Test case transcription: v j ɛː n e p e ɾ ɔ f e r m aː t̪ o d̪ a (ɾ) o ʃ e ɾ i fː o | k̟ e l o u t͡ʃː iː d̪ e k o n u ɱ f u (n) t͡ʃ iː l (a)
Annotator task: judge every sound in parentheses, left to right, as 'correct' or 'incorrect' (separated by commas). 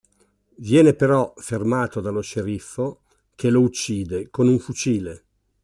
incorrect, incorrect, incorrect